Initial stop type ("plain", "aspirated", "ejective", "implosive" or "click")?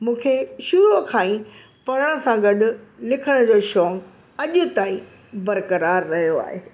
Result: aspirated